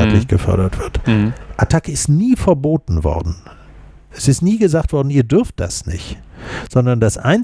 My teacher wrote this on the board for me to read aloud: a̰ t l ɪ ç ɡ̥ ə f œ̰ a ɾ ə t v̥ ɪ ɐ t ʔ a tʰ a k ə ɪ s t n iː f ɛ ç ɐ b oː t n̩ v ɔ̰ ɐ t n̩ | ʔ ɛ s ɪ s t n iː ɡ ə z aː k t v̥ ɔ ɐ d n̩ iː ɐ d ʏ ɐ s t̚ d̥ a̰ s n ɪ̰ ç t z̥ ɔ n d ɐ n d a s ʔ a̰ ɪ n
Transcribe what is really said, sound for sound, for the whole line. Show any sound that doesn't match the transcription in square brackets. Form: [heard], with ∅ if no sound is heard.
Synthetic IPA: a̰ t l ɪ ç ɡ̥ ə f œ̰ [ɐ] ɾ [ɐ] t v̥ ɪ ɐ t ʔ a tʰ a k ə ɪ s t n iː f ɛ [∅] ɐ b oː t n̩ v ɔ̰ ɐ [d] n̩ | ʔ ɛ s ɪ s t n iː ɡ ə z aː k t v̥ ɔ ɐ d n̩ iː ɐ d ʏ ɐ [f] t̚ d̥ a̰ s n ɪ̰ ç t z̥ ɔ n d ɐ n d a s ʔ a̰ ɪ n

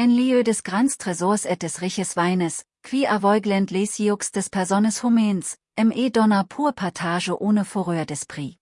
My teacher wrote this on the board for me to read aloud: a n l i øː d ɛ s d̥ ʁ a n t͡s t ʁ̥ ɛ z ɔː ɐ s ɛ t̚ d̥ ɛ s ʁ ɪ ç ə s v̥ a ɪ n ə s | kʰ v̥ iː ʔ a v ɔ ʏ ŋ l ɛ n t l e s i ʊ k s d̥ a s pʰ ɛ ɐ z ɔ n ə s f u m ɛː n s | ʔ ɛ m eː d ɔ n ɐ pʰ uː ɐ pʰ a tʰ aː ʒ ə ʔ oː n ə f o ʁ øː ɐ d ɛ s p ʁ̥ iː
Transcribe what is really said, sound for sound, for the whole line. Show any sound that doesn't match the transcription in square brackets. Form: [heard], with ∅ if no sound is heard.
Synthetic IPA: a n l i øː d ɛ s [ɡ̥] ʁ a n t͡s t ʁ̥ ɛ z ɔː ɐ s ɛ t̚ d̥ ɛ s ʁ ɪ ç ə s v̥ a ɪ n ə s | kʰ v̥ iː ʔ a v ɔ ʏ [ɡ] l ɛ n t l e s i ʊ k s d̥ [ɛ] s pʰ ɛ ɐ z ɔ n ə s [h] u m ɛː n s | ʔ ɛ m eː d ɔ n ɐ pʰ uː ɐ pʰ a tʰ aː ʒ ə ʔ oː n ə f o ʁ øː ɐ d ɛ s p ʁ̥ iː

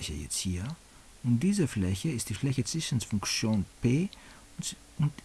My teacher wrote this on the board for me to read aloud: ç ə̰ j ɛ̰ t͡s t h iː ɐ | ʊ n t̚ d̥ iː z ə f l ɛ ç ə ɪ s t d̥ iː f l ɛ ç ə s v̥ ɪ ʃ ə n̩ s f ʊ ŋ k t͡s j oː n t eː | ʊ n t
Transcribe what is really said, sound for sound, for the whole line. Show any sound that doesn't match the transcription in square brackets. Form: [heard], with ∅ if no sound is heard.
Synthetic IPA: ç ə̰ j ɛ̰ t͡s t h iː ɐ | ʊ n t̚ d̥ iː z ə f l ɛ ç ə ɪ s t d̥ iː f l ɛ ç ə [t͡s] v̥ ɪ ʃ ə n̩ s f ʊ ŋ k t͡s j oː n [p] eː | ʊ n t

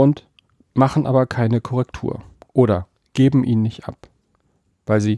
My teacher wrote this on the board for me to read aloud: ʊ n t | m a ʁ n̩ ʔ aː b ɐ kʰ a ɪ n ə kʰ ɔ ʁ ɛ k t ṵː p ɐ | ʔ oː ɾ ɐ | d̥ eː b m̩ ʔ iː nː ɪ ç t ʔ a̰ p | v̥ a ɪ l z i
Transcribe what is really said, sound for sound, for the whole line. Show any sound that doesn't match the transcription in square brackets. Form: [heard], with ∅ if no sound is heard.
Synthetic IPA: ʊ n t | m a [χ] n̩ ʔ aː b ɐ kʰ a ɪ n ə kʰ ɔ ʁ ɛ k [tʰ] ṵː [∅] ɐ | ʔ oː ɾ ɐ | [ɡ̥] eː b m̩ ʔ iː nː ɪ ç t ʔ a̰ p | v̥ a ɪ l z [iː]

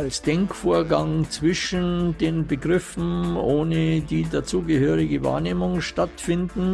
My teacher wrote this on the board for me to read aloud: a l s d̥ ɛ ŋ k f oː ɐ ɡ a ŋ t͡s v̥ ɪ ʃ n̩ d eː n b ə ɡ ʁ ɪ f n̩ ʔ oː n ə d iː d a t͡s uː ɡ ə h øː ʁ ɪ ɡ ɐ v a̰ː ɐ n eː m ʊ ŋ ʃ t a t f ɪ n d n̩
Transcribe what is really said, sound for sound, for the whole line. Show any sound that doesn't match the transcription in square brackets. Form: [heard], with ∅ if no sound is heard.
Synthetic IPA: a l s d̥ ɛ ŋ k f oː ɐ ɡ a ŋ t͡s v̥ ɪ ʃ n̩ d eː n b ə ɡ ʁ ɪ f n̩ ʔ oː n ə d iː d a t͡s uː ɡ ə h øː ʁ ɪ ɡ [ə] v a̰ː ɐ n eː m ʊ ŋ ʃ t a t f ɪ n d n̩

